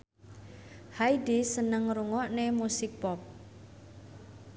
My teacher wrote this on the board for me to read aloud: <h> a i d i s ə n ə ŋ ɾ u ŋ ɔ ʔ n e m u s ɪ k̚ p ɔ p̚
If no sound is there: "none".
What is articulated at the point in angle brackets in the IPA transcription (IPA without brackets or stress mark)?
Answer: h